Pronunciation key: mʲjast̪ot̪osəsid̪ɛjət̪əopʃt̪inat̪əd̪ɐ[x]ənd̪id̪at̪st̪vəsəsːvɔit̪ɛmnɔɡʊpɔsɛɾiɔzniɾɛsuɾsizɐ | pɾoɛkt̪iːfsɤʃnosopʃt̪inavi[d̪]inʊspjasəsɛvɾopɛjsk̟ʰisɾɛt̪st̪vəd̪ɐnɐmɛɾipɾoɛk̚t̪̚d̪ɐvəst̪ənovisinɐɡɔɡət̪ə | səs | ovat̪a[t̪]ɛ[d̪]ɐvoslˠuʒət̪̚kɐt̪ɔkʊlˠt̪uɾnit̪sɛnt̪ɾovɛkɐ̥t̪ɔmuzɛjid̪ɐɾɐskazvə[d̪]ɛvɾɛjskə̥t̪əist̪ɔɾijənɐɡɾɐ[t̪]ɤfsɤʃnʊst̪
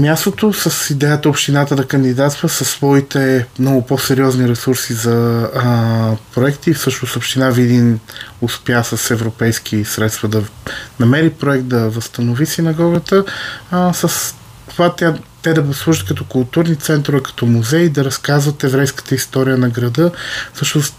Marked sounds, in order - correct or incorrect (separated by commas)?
incorrect, correct, correct, correct, incorrect, incorrect